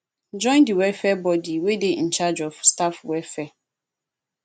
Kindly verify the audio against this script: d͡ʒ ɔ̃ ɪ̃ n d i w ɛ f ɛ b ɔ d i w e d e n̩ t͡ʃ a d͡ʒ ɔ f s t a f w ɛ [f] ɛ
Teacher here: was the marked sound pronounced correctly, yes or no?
yes